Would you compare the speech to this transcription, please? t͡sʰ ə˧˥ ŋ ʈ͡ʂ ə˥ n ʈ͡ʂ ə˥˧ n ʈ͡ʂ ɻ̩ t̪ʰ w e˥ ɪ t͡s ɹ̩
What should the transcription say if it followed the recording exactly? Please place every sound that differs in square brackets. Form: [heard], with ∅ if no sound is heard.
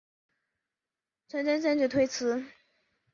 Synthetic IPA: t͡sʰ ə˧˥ [n] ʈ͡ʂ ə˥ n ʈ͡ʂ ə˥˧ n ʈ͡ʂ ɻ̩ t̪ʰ w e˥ ɪ [t͡sʰ] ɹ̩